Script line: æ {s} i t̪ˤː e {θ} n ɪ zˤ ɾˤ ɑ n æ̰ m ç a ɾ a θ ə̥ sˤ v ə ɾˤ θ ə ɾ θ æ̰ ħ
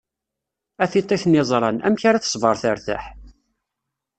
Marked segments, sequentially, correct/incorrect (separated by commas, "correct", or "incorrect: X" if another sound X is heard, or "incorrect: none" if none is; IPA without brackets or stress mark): incorrect: θ, correct